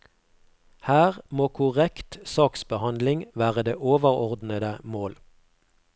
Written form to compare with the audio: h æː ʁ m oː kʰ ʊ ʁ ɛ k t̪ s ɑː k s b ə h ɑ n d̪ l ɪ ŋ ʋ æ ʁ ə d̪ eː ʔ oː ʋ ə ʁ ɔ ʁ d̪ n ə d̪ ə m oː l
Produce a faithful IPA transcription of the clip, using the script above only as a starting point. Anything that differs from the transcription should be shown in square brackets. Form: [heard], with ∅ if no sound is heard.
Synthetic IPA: h æː ʁ m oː kʰ ʊ ʁ ɛ k t̪ s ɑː k s b ə h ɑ n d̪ l ɪ ŋ ʋ [æː] ʁ ə d̪ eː ʔ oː ʋ ə ʁ ɔ ʁ d̪ n ə d̪ ə m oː l